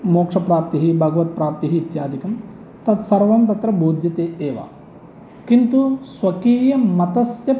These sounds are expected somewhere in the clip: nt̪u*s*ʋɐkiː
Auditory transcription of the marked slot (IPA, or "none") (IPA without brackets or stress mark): s